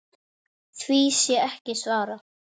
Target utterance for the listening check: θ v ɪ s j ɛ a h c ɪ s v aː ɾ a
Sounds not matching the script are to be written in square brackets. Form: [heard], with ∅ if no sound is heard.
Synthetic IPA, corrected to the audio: θ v [i] s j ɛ [ɛ] h c ɪ s v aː ɾ a